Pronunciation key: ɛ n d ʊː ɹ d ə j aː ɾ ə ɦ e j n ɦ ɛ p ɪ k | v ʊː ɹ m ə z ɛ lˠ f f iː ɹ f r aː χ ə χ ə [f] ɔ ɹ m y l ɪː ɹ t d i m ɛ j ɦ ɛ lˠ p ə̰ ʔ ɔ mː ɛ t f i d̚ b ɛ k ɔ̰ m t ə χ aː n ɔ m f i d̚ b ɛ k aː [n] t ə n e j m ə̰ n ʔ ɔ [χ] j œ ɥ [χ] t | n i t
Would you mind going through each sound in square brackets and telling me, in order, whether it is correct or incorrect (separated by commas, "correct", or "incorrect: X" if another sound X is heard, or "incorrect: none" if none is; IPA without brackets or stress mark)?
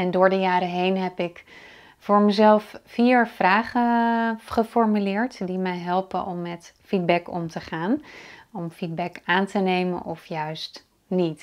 correct, correct, incorrect: f, incorrect: s